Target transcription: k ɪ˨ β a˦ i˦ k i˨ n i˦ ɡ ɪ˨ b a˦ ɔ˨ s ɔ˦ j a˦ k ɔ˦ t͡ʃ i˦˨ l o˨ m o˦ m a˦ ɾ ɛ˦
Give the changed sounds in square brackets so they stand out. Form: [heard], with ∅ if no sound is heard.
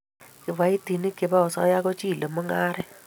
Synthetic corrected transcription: k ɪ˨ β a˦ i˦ [t] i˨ n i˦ [k] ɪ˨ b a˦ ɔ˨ s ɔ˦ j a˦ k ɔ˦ t͡ʃ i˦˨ l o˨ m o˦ [ŋ] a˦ ɾ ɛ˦